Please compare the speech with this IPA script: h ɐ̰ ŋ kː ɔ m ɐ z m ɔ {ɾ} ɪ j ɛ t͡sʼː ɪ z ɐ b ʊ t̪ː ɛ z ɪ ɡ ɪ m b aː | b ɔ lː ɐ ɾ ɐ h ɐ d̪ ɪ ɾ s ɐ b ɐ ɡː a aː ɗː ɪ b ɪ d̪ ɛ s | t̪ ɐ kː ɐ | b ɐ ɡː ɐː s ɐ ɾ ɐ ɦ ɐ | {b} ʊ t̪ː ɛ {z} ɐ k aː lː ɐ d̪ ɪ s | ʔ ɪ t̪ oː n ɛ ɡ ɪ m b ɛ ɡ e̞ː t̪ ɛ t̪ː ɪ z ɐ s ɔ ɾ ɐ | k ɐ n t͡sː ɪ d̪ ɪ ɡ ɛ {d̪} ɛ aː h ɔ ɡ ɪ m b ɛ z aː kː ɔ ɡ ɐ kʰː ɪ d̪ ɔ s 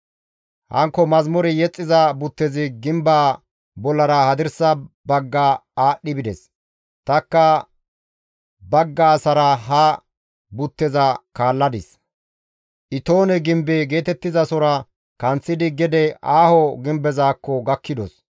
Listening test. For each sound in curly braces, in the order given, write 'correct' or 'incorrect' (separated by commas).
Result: correct, correct, correct, correct